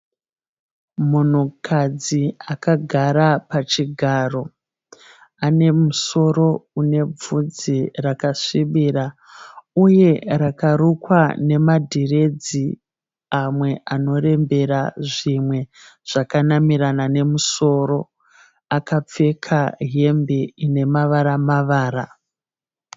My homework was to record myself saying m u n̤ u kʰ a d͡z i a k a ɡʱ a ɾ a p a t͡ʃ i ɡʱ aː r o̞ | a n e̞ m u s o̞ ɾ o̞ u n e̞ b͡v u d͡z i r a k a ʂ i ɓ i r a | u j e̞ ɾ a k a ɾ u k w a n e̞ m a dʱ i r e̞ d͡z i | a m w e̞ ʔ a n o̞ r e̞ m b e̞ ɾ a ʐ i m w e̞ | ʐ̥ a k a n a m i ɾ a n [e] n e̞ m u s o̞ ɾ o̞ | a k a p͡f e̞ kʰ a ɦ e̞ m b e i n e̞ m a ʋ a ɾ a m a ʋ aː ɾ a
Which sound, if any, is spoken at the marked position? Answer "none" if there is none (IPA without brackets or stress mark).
a